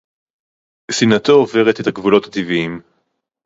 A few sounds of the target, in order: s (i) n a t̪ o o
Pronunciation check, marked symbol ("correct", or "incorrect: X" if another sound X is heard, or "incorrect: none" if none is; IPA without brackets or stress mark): correct